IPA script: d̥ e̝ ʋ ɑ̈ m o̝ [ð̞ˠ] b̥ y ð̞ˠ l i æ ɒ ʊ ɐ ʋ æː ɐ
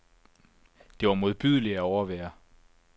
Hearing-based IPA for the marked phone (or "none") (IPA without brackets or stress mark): ð̞ˠ